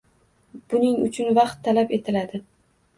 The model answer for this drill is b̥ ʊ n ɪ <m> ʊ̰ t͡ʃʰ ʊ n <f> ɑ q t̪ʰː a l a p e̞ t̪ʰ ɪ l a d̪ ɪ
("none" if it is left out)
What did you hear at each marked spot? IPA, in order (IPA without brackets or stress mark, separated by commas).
ŋ, v